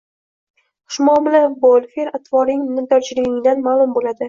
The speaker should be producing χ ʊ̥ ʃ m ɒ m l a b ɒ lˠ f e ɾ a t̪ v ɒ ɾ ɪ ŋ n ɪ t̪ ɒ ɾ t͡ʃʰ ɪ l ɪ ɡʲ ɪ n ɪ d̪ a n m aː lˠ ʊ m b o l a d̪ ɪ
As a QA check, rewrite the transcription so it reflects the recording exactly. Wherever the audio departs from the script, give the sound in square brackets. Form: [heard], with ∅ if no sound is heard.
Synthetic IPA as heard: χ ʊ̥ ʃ m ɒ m l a b [o] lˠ f e ɾ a t̪ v ɒ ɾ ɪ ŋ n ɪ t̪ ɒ ɾ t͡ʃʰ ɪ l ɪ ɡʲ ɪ [ŋ] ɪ d̪ a n m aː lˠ ʊ m b o l a d̪ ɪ